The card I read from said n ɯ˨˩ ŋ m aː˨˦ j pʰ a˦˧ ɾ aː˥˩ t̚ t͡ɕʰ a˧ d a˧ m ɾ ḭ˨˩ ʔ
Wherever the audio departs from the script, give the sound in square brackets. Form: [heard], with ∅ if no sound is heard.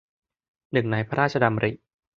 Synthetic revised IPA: n ɯ˨˩ ŋ [n] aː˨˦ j pʰ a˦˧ ɾ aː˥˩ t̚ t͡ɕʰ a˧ d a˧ m ɾ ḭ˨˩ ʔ

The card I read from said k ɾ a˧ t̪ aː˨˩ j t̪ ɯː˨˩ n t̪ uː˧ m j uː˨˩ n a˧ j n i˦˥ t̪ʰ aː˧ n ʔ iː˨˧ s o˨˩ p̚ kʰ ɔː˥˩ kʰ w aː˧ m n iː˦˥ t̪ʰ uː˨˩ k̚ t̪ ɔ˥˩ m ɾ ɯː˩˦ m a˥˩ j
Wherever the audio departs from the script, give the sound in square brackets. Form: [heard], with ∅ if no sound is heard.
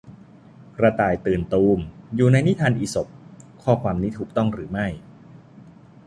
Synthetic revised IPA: k ɾ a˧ t̪ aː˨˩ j t̪ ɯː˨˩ n t̪ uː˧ m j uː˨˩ n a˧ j n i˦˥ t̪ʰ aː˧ n ʔ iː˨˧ s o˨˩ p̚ kʰ ɔː˥˩ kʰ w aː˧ m n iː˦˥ t̪ʰ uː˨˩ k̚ t̪ ɔ˥˩ [ŋ] ɾ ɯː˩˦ m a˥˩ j

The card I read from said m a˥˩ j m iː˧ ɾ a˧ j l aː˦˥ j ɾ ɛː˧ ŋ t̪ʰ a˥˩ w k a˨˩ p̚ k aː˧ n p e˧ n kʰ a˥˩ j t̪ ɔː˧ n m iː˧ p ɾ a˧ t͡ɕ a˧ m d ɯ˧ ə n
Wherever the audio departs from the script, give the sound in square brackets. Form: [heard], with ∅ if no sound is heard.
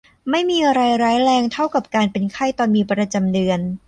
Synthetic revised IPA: m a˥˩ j m iː˧ ɾ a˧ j [ɾ] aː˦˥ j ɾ ɛː˧ ŋ t̪ʰ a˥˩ w k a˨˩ p̚ k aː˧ n p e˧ n kʰ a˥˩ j t̪ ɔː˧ n m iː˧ p ɾ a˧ t͡ɕ a˧ m d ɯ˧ ə n

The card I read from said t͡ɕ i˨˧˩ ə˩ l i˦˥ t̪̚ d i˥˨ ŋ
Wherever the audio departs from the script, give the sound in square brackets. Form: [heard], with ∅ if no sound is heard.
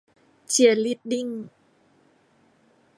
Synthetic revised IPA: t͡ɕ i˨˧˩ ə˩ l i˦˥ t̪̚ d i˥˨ ŋ

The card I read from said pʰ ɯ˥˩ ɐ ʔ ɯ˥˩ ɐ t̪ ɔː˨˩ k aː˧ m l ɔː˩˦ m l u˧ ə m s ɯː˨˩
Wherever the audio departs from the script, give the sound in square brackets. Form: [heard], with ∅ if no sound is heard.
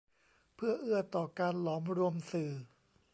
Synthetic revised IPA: pʰ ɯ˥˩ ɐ ʔ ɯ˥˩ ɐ t̪ ɔː˨˩ k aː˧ [n] l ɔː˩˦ m [ɾ] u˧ ə m s ɯː˨˩

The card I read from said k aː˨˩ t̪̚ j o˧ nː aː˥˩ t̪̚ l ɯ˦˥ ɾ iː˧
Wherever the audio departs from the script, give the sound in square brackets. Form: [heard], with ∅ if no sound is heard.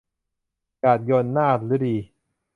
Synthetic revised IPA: k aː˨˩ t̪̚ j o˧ nː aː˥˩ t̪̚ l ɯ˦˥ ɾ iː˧

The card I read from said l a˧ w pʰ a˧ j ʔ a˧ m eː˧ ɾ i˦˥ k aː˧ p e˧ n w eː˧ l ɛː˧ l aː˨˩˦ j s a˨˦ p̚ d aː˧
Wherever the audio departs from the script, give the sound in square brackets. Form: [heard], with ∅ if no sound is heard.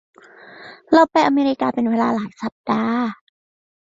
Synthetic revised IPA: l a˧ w [p] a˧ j ʔ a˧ m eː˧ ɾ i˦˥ k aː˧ p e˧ n w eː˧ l [aː˧] l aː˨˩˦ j s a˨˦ p̚ d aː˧

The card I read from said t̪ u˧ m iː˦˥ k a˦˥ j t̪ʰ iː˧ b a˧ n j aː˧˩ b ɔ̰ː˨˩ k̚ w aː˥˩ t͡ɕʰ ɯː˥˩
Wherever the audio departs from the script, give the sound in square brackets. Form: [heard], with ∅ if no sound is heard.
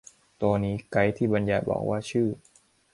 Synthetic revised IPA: t̪ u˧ [n] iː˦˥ k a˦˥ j t̪ʰ [iː˥˩] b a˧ n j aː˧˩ b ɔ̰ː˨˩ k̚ w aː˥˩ t͡ɕʰ ɯː˥˩

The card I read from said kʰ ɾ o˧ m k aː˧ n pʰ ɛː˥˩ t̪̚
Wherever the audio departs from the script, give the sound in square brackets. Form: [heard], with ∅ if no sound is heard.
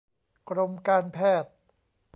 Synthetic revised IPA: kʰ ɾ o˧ m k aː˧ n pʰ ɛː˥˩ t̪̚

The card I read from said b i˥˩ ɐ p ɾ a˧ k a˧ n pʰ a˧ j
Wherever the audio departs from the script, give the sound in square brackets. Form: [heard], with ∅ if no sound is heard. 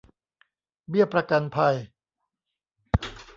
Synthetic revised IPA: b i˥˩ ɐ p ɾ a˧ k a˧ n pʰ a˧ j

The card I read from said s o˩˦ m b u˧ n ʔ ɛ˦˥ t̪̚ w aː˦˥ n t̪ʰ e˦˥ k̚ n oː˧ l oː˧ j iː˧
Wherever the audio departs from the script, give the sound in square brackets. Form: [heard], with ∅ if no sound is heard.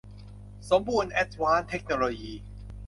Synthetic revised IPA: s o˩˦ m b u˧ n ʔ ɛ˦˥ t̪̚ w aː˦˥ n t̪ʰ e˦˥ k̚ n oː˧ l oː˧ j iː˧

